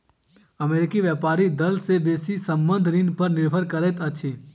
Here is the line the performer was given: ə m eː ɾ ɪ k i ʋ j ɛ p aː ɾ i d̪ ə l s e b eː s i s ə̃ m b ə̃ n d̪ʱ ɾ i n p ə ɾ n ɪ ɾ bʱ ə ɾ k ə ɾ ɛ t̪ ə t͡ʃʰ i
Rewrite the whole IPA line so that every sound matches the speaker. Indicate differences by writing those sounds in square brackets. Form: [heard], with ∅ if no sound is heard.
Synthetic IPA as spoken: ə m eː ɾ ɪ k i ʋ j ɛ p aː ɾ i d̪ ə l s e b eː s i s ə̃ m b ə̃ n d̪ʱ ɾ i n p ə ɾ n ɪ ɾ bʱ ə ɾ k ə ɾ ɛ t̪ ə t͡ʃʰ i